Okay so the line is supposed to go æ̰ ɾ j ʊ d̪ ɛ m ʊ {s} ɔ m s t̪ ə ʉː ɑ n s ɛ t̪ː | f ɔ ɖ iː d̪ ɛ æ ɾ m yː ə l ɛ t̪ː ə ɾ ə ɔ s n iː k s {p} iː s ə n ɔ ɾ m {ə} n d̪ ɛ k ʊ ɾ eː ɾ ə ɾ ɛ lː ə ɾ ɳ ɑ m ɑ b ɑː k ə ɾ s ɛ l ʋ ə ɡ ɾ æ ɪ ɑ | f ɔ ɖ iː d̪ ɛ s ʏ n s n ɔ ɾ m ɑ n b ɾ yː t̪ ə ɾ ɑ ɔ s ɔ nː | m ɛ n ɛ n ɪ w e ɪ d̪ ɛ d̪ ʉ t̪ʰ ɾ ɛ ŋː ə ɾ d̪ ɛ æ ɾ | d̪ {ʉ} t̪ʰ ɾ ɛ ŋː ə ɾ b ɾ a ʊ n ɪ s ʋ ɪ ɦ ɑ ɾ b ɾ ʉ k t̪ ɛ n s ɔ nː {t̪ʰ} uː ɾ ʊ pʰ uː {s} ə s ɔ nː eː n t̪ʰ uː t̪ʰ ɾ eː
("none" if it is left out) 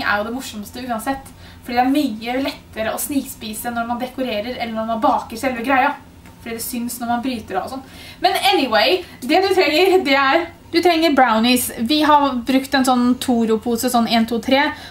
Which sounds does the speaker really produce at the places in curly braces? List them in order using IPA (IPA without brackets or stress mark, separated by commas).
ʂ, p, ɑ, ʉ, t̪ʰ, s